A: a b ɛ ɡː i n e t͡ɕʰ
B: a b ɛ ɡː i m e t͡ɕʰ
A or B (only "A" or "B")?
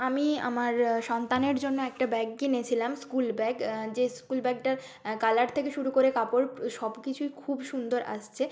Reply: A